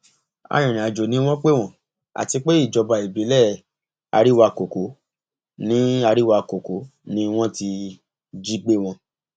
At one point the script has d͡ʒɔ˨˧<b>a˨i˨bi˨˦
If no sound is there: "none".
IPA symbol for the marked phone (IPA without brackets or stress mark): b